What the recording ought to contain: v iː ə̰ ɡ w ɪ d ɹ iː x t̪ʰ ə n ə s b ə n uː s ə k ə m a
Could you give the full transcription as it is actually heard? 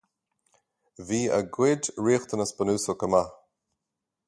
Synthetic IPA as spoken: v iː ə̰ ɡ w ɪ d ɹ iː x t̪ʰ ə n ə s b ə n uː s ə k ə m a